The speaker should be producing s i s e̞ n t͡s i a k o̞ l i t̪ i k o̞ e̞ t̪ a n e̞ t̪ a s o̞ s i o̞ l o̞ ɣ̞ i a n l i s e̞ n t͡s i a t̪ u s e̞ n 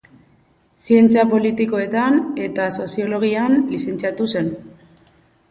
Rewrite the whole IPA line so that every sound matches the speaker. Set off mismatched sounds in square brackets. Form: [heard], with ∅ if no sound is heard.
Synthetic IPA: s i [∅] e̞ n t͡s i a [p] o̞ l i t̪ i k o̞ e̞ t̪ a n e̞ t̪ a s o̞ s i o̞ l o̞ ɣ̞ i a n l i s e̞ n t͡s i a t̪ u s e̞ n